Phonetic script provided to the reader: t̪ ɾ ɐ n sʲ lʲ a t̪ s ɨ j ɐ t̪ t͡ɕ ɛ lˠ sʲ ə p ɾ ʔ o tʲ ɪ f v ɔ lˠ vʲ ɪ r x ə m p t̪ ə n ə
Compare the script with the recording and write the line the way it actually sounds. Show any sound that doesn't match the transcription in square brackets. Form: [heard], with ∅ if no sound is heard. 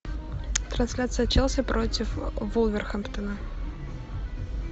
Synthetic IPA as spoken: t̪ ɾ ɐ n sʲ lʲ a t̪ s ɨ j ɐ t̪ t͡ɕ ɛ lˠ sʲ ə p ɾ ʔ o tʲ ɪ f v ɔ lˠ vʲ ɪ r x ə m p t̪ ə n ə